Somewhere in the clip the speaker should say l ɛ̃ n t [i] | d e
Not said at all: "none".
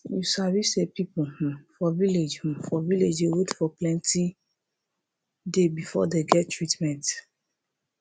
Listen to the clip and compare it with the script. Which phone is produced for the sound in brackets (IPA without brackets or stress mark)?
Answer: i